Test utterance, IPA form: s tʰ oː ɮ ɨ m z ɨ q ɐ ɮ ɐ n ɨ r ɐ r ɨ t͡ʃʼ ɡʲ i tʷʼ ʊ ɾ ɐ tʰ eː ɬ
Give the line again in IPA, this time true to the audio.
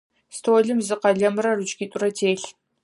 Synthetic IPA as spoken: s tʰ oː ɮ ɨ m z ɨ q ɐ ɮ ɐ m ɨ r ɐ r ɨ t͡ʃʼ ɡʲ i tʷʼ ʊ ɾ ɐ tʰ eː ɬ